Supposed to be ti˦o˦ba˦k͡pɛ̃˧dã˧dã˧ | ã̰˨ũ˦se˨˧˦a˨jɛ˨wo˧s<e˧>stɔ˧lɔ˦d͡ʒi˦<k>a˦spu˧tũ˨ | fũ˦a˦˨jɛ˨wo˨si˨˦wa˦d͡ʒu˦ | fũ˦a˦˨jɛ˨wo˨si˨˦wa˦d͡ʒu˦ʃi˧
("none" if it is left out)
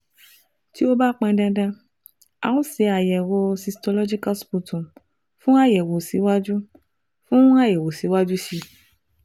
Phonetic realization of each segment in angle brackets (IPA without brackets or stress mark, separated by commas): i˧, k